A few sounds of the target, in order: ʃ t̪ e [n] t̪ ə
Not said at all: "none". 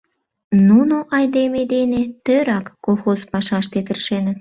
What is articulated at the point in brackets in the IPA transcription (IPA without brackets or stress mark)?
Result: none